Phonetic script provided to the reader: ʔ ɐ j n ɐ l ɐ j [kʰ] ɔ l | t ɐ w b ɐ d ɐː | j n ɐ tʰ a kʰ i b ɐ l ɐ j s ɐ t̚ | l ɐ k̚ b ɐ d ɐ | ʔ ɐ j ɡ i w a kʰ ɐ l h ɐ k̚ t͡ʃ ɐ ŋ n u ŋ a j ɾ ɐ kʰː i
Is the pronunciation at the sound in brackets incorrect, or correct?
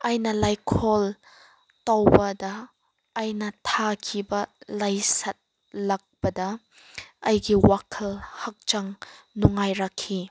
correct